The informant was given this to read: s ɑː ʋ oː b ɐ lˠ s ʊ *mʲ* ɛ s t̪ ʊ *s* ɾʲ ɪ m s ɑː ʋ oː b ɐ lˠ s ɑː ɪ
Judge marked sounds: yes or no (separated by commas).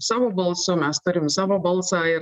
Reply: yes, no